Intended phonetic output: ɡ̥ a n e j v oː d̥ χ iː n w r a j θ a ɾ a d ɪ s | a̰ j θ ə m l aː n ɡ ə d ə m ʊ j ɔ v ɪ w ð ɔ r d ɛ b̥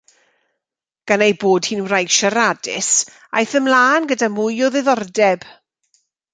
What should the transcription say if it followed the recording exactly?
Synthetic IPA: ɡ̥ a n e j b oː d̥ h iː n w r a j ʃ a ɾ a d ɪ s | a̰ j θ ə m l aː n ɡ ə d a m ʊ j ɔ ð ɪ ð ɔ r d ɛ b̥